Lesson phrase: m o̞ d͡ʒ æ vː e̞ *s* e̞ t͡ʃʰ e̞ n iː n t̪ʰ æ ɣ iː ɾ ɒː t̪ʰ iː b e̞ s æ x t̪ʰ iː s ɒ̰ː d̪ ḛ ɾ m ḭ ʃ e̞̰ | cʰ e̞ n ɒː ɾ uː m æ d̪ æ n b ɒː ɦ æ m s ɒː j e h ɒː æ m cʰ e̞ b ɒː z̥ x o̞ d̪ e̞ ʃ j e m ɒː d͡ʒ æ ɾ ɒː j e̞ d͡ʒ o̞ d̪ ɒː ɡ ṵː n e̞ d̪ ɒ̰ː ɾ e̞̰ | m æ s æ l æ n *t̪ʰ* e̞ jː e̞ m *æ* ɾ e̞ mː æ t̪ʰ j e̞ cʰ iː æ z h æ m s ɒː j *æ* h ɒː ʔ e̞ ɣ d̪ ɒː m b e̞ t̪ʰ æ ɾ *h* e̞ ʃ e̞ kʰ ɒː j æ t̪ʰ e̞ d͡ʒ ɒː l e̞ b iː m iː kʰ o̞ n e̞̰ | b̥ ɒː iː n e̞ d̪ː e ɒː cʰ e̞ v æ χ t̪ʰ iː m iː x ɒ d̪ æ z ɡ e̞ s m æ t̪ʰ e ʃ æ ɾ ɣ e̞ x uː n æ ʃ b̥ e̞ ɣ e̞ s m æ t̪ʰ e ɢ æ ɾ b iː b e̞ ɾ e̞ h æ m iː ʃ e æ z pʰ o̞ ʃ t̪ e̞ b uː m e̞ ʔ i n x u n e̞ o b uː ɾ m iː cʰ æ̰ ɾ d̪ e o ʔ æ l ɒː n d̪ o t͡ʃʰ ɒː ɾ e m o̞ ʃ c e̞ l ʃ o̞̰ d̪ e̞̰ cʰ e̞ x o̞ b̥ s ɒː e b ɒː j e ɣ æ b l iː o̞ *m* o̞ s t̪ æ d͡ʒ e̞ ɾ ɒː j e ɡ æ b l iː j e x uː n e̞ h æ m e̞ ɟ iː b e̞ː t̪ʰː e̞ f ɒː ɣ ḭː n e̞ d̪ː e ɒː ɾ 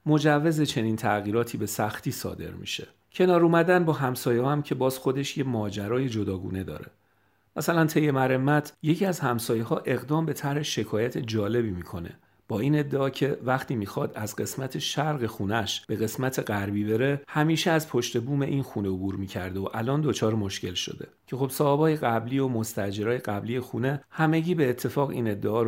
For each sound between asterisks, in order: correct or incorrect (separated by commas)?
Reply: incorrect, correct, correct, incorrect, correct, correct